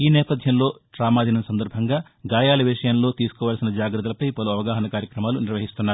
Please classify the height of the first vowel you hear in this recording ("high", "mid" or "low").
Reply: high